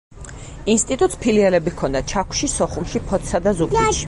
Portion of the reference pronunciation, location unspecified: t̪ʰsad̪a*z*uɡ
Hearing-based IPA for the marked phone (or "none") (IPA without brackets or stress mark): z